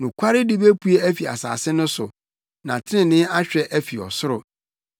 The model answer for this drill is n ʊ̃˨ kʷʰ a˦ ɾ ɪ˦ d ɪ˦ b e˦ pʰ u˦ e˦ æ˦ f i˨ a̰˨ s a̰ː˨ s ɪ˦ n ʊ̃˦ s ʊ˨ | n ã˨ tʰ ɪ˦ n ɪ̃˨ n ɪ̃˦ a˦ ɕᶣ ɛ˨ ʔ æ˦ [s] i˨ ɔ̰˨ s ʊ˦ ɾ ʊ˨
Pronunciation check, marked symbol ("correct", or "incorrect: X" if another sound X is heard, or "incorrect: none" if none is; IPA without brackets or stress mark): incorrect: f